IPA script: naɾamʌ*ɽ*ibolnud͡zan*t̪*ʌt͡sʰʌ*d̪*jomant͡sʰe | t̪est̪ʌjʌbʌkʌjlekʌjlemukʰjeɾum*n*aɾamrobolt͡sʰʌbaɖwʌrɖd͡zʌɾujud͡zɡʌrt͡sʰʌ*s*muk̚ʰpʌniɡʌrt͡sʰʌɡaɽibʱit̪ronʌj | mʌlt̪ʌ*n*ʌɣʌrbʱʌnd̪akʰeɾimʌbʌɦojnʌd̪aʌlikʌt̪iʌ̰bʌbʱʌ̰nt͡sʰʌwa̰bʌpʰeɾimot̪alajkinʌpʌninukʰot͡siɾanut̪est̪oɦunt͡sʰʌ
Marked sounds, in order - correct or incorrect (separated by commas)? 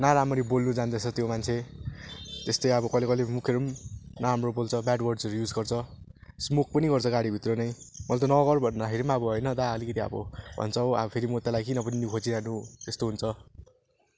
incorrect, incorrect, incorrect, correct, correct, correct